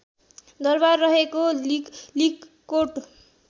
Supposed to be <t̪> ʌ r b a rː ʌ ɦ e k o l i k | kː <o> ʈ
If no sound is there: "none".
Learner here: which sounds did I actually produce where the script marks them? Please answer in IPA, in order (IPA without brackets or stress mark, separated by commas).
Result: d̪, o